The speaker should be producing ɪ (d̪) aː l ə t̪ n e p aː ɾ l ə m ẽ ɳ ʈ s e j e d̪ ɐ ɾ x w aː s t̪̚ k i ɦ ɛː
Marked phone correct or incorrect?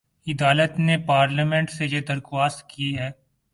correct